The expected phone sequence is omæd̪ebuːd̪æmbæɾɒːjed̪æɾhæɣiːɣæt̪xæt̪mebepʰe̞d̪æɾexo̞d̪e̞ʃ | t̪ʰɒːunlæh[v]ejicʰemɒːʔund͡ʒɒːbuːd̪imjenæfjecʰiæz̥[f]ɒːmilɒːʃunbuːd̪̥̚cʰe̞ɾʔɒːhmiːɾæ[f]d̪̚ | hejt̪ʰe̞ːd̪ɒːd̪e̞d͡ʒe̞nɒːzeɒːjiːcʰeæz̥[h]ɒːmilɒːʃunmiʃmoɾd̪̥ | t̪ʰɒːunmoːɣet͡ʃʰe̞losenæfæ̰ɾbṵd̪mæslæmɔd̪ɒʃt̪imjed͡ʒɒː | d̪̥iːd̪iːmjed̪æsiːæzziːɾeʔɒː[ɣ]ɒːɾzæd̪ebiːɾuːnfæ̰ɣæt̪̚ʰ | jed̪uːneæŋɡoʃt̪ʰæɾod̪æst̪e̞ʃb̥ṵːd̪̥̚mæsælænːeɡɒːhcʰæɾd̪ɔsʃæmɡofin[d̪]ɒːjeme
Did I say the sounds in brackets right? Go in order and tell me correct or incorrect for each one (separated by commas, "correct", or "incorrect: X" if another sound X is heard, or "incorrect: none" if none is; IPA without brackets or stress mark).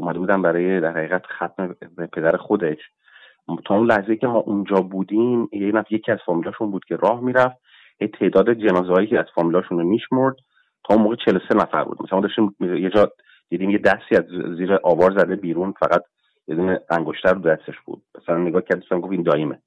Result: incorrect: z, correct, correct, incorrect: f, incorrect: v, correct